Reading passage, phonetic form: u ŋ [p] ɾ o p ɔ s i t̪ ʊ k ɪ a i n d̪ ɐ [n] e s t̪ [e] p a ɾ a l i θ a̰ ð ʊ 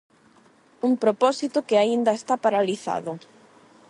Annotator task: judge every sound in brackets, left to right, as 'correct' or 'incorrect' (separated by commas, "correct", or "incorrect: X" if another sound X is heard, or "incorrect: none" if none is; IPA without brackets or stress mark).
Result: correct, incorrect: none, incorrect: a